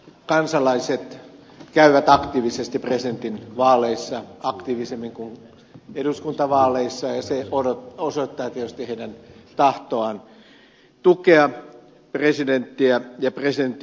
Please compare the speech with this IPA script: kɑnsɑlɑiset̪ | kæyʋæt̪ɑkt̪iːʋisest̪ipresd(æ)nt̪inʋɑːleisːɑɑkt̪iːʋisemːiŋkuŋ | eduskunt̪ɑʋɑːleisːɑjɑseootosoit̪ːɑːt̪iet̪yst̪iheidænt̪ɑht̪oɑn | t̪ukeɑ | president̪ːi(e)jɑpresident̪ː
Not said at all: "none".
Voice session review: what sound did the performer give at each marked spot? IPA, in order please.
e, æ

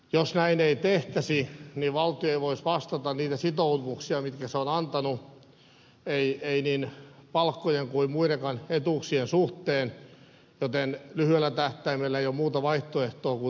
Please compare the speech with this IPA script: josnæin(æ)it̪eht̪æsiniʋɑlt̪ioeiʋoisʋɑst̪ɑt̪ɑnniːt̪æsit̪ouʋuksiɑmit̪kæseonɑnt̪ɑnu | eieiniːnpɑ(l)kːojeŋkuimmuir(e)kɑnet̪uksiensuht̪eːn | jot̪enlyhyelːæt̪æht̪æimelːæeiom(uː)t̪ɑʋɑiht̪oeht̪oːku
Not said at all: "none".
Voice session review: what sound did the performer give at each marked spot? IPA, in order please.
e, l, e, uː

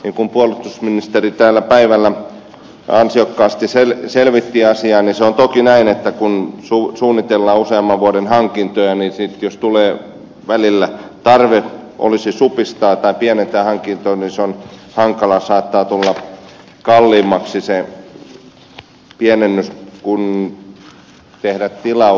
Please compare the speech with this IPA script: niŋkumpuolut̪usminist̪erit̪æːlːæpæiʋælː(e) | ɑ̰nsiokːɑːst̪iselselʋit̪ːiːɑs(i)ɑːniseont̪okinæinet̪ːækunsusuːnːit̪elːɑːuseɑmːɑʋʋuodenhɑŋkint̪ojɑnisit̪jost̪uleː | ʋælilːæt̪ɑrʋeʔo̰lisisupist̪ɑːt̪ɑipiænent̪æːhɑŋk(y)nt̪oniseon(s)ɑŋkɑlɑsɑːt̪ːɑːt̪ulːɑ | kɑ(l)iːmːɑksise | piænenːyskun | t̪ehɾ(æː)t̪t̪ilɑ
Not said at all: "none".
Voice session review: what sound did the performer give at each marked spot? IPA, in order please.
æ, i, i, h, lː, æ

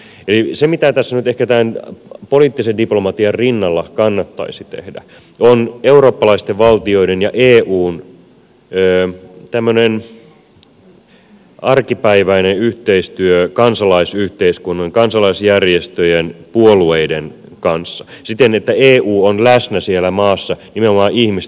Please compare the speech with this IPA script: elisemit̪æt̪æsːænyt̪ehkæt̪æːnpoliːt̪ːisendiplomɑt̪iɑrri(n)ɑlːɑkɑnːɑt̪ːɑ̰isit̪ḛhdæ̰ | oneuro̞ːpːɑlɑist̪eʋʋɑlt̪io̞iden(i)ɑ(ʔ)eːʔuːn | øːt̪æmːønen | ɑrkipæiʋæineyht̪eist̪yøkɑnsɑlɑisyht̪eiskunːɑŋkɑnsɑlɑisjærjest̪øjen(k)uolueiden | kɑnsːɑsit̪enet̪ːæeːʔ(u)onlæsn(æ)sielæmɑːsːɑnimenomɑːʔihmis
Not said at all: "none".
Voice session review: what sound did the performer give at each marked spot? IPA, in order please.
nː, j, ʔ, p, uː, æ

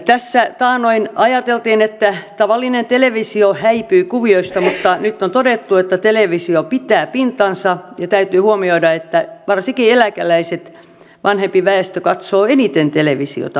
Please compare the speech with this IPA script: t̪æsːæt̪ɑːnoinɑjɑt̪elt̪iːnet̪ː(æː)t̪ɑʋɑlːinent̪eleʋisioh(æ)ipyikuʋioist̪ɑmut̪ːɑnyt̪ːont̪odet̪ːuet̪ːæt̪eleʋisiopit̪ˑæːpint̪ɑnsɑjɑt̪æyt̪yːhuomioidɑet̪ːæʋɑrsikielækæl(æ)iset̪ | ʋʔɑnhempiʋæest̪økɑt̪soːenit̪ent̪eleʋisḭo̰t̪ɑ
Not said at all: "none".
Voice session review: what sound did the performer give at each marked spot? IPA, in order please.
æ, æ, æ

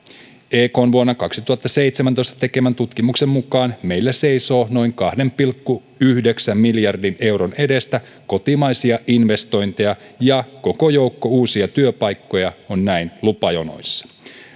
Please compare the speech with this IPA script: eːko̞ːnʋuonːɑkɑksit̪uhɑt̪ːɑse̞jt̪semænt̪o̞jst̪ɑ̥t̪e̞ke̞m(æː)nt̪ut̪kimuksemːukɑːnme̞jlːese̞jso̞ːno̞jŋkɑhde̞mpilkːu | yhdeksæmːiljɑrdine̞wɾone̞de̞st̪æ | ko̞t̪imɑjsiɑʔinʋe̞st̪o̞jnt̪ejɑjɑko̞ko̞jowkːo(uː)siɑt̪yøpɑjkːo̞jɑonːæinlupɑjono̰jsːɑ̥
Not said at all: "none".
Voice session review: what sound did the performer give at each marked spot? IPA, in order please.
æ, uː

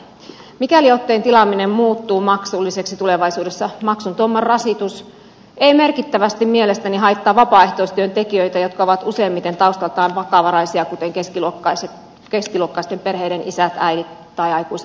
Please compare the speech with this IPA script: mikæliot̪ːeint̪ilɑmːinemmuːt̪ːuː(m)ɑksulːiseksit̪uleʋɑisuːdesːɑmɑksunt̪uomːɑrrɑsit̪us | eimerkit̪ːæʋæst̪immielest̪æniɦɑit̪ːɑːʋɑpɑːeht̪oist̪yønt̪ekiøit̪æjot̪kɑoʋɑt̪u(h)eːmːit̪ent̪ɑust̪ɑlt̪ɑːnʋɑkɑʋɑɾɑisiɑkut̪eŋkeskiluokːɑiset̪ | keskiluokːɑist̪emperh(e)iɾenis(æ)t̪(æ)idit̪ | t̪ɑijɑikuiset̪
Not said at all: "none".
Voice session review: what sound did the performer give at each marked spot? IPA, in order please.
m, s, e, æ, æ

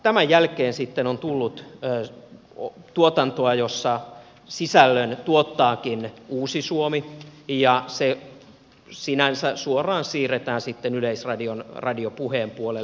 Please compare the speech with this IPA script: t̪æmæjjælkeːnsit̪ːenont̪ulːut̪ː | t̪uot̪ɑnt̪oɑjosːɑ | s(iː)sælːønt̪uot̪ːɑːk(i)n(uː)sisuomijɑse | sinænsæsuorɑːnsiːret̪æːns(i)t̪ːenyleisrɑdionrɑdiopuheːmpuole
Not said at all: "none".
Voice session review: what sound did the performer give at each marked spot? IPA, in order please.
i, i, uː, i

